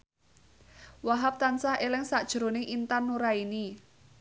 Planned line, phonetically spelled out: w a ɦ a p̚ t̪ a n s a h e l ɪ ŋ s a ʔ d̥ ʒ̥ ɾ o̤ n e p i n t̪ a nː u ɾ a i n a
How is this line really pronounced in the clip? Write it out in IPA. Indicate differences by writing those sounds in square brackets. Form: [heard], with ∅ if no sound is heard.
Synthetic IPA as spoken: w a ɦ a p̚ t̪ a n s a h e l ɪ ŋ s a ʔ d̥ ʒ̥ ɾ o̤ n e [ʔ] i n t̪ a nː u ɾ a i n [i]